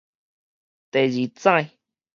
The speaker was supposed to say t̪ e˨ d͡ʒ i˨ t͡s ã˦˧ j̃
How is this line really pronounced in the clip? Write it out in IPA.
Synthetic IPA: t̪ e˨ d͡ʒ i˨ t͡s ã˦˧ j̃